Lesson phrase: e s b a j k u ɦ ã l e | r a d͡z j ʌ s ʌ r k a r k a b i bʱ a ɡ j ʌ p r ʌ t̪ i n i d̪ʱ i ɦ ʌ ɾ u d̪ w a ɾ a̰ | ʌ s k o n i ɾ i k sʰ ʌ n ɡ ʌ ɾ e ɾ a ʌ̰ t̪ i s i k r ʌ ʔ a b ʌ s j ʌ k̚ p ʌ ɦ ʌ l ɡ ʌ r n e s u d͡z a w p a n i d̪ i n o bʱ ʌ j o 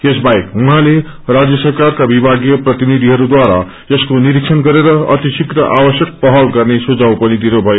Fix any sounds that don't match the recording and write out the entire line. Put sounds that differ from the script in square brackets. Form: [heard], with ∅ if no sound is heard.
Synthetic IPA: e s b a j k u ɦ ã l e | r a d͡z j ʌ s ʌ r k a r k a b i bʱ a ɡ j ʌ p r ʌ t̪ i n i d̪ʱ i ɦ ʌ ɾ u d̪ w a ɾ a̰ | ʌ s k o n i ɾ i k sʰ ʌ n ɡ ʌ ɾ e ɾ [ʌ] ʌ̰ t̪ i s i k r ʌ ʔ a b ʌ s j ʌ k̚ p ʌ ɦ ʌ l ɡ ʌ r n e s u d͡z a w p [ʌ] n i d̪ i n o bʱ ʌ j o